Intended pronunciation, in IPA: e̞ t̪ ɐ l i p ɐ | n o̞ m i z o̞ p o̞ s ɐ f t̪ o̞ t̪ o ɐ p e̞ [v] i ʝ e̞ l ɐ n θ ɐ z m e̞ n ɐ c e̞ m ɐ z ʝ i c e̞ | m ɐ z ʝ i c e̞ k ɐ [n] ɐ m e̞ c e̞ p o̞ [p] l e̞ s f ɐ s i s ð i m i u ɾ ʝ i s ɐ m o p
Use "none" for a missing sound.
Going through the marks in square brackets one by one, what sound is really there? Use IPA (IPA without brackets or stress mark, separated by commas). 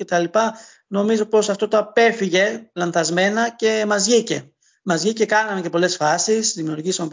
f, n, none